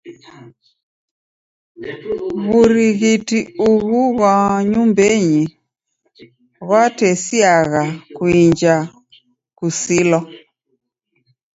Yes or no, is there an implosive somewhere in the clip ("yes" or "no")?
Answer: no